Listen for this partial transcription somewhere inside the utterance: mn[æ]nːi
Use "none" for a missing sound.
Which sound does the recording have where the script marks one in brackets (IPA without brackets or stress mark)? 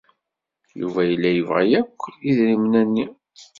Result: æ